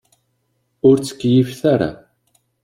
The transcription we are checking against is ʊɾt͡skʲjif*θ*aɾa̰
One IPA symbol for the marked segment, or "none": θ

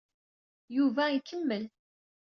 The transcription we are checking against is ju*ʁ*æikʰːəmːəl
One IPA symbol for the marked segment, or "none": v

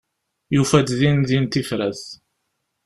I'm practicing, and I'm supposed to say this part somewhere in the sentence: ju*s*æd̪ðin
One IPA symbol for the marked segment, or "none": f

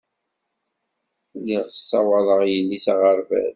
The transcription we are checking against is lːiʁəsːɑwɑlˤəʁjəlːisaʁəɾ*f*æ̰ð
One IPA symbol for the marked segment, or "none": v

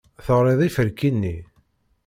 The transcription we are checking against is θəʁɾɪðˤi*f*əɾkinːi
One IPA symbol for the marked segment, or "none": f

